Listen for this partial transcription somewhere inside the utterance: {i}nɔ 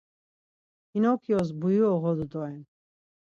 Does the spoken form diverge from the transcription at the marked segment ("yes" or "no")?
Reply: no